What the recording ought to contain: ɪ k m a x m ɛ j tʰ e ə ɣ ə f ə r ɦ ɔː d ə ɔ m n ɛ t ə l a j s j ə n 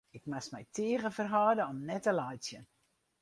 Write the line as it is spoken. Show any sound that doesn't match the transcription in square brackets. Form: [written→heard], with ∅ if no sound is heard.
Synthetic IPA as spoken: ɪ k m a [x→s] m ɛ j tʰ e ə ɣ ə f ə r ɦ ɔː d ə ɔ m n ɛ t ə l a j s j ə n